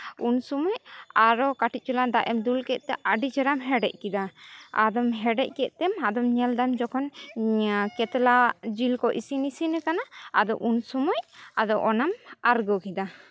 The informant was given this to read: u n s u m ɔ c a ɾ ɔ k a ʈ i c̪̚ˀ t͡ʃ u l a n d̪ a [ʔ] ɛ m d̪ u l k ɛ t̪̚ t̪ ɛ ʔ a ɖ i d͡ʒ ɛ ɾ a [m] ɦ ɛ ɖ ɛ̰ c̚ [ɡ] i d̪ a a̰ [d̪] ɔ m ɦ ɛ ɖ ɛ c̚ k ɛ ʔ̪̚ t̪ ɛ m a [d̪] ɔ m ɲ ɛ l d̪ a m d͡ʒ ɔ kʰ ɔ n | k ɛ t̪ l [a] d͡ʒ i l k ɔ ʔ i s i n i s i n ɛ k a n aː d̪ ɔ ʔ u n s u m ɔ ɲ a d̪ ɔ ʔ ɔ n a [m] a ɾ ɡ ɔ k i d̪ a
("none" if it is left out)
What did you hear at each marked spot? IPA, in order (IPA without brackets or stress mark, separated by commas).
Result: ʔ, m, k, d̪, d̪, a, m